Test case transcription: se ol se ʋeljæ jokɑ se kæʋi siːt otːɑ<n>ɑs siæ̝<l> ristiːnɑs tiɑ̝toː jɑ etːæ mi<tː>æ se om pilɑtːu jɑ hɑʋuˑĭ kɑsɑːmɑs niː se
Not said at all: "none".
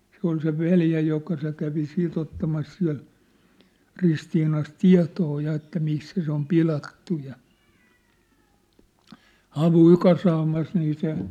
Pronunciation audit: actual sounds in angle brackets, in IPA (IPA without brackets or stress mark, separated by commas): m, l, sː